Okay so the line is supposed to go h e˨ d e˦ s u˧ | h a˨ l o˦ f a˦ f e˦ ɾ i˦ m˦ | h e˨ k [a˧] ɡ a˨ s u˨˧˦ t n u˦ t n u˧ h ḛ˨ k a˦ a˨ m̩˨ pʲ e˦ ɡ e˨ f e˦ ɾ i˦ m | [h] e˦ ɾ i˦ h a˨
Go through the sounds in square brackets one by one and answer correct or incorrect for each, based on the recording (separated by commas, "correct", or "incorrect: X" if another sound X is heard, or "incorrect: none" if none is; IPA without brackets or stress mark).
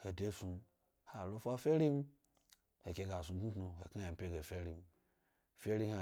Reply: incorrect: e˧, incorrect: f